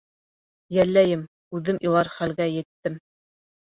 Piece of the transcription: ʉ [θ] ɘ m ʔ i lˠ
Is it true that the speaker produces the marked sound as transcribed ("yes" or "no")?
no